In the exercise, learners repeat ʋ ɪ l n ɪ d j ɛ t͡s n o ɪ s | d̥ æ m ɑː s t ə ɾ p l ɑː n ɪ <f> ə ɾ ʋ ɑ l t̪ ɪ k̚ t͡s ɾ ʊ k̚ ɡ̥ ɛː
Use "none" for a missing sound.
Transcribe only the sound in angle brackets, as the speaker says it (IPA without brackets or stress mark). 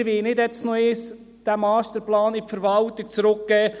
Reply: f